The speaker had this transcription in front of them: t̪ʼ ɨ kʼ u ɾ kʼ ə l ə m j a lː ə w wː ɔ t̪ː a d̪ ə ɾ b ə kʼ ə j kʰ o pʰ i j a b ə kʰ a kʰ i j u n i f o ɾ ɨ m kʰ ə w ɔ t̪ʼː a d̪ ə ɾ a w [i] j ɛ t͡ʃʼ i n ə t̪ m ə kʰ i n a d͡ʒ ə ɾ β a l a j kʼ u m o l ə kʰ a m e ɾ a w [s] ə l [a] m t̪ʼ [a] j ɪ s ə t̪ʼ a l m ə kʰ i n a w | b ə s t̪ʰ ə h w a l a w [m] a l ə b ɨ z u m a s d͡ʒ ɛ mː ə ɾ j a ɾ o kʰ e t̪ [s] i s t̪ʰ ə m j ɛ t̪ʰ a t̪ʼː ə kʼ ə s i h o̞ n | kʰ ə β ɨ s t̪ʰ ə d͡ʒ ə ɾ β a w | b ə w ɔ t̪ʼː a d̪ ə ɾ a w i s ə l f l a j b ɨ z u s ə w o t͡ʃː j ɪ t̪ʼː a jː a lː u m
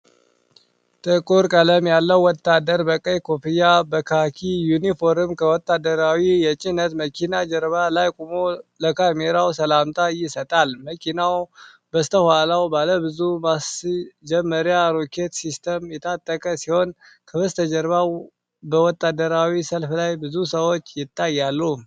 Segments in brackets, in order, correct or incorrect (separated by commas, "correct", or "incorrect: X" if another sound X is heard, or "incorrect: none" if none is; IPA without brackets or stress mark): correct, correct, correct, correct, incorrect: b, correct